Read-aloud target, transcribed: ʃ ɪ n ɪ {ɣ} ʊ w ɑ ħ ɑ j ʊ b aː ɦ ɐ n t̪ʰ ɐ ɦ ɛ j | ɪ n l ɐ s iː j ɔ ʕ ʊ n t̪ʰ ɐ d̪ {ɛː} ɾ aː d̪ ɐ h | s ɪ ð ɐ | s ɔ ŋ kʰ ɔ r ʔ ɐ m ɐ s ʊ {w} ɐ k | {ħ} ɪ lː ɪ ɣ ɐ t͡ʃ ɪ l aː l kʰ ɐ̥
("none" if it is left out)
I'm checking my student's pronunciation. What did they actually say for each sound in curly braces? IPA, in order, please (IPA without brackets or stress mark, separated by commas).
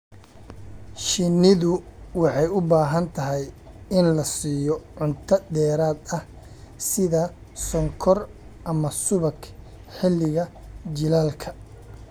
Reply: ð, ɛː, β, ħ